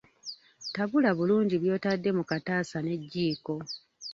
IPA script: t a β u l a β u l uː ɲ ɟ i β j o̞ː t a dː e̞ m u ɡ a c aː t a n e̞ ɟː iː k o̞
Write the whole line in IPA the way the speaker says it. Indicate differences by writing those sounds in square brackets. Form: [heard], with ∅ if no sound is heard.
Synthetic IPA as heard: t a β u l a β u l uː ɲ ɟ i β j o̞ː t a dː e̞ m u [k] a [t] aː [s] a n e̞ ɟː iː k o̞